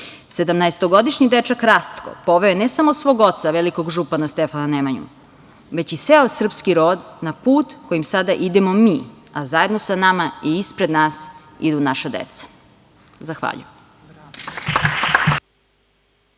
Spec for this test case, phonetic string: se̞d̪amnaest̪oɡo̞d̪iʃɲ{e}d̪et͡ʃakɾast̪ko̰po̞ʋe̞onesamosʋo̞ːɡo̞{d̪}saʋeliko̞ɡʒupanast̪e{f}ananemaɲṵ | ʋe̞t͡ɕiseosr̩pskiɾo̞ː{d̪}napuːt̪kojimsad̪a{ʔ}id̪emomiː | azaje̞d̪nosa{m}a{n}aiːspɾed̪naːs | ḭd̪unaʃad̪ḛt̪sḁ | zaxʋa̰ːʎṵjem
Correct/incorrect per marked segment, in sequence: incorrect: i, incorrect: t̪, correct, correct, correct, incorrect: n, incorrect: m

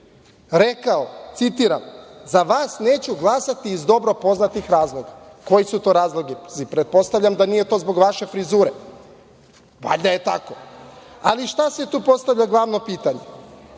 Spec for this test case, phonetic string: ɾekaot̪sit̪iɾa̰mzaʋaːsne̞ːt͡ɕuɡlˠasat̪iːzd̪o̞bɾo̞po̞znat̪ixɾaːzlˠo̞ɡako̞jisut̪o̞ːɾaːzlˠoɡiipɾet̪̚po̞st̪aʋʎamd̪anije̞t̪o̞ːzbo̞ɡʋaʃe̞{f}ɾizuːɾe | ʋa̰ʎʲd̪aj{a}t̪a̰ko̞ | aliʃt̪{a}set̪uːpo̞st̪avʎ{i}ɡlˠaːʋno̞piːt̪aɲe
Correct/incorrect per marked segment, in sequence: correct, incorrect: e, correct, incorrect: a

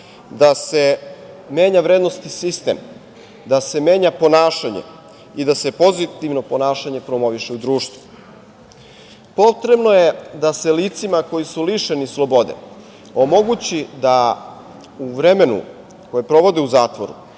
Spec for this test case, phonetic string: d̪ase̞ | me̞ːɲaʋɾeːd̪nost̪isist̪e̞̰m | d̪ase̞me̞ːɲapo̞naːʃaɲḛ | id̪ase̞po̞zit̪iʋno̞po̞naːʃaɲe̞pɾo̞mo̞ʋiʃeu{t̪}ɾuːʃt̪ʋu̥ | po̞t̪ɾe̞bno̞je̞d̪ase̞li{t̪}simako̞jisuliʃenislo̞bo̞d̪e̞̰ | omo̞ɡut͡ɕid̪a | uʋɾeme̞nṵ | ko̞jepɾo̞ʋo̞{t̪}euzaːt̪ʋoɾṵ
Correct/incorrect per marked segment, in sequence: incorrect: d̪, correct, incorrect: d̪

